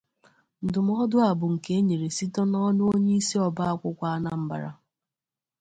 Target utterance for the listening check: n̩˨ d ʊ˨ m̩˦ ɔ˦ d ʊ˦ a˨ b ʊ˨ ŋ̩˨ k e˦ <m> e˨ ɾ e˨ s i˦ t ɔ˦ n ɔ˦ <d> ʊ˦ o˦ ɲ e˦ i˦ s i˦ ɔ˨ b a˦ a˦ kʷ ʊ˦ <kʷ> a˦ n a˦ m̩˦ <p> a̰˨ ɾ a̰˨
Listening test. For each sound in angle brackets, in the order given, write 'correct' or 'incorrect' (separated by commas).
incorrect, incorrect, correct, incorrect